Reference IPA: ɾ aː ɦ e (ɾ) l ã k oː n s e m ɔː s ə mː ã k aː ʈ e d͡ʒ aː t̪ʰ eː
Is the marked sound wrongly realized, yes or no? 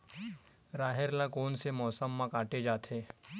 no